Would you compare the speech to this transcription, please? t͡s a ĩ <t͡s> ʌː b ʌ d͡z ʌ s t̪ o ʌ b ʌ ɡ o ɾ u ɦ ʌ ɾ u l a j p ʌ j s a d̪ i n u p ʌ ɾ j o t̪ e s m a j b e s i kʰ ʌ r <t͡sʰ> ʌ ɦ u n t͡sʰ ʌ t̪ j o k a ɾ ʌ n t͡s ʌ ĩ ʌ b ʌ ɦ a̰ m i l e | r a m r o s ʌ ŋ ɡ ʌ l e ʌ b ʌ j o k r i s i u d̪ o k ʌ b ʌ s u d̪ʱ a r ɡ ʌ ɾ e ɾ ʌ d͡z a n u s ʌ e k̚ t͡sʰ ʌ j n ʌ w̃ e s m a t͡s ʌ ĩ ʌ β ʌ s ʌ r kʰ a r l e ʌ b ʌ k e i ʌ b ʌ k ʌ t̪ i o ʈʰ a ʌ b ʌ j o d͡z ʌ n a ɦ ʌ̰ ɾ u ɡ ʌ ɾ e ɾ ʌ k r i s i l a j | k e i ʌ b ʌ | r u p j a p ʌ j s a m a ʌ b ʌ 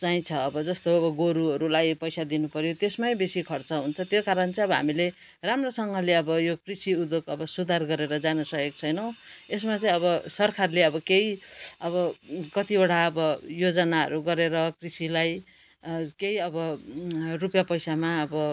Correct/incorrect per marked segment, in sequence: incorrect: t͡sʰ, incorrect: t͡s

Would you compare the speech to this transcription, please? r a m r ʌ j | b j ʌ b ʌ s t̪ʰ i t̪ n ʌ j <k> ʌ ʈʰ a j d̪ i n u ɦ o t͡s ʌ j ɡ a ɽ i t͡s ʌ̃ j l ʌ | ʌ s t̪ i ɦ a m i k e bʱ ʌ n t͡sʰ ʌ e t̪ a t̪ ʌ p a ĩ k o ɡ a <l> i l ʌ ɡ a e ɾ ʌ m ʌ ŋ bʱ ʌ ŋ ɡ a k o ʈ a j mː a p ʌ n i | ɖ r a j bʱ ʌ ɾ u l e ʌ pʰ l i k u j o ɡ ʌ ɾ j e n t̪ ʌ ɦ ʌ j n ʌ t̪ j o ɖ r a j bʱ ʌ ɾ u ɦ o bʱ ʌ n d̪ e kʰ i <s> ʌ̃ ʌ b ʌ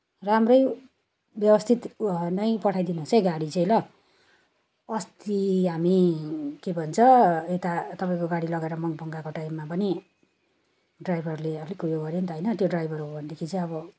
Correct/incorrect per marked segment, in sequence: incorrect: p, incorrect: ɽ, incorrect: t͡s

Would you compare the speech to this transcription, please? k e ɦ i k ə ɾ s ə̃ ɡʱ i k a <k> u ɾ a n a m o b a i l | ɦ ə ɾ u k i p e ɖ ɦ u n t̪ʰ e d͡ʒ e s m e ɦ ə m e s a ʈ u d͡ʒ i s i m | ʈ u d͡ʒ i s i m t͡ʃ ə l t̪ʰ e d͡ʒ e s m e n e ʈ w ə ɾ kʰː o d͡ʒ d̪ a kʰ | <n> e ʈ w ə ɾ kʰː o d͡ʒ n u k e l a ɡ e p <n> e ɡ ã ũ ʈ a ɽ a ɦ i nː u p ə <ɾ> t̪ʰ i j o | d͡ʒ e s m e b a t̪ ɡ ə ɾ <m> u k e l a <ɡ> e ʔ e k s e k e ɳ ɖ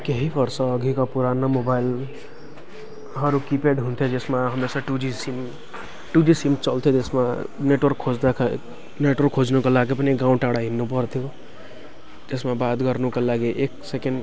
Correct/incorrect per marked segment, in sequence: incorrect: p, correct, correct, correct, incorrect: n, correct

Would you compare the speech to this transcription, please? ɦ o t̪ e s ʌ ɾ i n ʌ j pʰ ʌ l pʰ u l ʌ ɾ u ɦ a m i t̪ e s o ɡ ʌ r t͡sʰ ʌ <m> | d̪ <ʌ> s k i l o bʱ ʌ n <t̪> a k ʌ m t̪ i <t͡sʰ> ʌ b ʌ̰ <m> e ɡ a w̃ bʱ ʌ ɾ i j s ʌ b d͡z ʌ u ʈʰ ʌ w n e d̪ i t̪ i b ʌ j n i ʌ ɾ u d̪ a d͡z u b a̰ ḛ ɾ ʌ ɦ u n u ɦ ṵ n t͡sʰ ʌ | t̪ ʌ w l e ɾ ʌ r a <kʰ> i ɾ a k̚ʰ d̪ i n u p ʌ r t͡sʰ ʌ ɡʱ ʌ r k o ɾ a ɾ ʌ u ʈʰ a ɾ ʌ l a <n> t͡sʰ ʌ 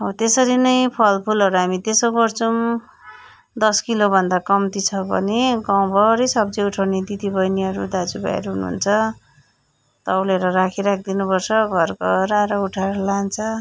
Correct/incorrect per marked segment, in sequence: correct, correct, incorrect: d̪, correct, incorrect: n, correct, correct

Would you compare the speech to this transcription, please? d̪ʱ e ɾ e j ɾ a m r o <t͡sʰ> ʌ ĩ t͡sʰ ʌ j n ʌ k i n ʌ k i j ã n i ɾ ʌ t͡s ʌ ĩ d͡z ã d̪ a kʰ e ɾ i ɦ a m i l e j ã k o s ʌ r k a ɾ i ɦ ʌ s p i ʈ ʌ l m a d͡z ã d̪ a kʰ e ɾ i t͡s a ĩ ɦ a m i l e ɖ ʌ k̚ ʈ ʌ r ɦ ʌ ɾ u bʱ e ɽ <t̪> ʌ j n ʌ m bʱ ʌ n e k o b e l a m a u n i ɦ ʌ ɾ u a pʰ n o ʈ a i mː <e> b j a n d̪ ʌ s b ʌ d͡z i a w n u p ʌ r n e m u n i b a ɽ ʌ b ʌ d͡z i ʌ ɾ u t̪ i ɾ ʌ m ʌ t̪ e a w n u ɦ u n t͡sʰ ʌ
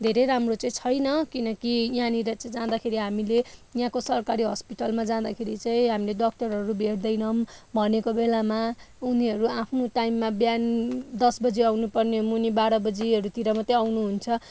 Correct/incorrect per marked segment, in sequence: incorrect: t͡s, incorrect: d̪, incorrect: a

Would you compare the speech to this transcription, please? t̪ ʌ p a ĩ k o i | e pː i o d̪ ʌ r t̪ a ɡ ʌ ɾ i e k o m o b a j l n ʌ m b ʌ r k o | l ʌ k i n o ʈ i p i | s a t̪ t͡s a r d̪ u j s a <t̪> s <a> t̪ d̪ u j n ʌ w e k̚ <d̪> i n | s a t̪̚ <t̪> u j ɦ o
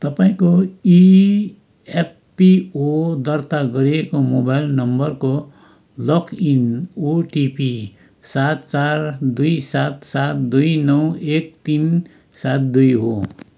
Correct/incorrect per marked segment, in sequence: correct, correct, incorrect: t̪, incorrect: d̪

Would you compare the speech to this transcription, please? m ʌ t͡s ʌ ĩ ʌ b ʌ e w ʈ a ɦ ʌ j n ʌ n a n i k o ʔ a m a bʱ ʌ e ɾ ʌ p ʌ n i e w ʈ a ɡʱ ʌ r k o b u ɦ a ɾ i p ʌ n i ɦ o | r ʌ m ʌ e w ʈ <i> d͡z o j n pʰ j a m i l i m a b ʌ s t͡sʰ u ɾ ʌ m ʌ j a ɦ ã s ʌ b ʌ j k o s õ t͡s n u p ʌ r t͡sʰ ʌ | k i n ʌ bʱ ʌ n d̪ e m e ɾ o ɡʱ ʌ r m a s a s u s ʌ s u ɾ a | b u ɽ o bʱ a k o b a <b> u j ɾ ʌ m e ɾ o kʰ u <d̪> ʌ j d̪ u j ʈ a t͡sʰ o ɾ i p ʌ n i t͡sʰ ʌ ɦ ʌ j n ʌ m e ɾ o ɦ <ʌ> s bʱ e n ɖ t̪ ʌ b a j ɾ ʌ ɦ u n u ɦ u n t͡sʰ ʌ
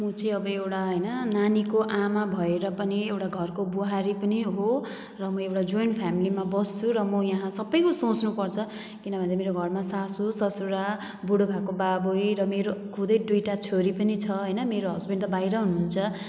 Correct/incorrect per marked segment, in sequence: incorrect: a, correct, correct, correct

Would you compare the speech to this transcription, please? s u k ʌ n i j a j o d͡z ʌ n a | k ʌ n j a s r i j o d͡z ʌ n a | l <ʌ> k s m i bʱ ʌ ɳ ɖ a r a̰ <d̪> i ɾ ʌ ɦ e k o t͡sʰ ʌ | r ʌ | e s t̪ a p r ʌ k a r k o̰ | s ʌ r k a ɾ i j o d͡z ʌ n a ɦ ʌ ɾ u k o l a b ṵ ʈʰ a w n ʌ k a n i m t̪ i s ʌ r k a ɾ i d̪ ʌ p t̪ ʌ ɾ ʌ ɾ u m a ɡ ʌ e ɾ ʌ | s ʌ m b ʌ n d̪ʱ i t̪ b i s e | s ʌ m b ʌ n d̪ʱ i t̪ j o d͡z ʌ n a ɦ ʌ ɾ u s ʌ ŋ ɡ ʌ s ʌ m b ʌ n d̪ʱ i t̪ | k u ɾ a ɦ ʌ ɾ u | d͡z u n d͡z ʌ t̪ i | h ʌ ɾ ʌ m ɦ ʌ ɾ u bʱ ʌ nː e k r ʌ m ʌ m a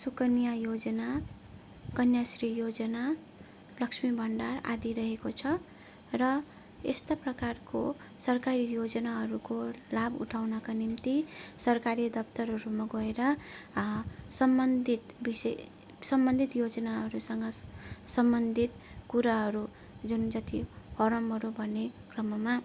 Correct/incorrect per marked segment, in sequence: correct, correct

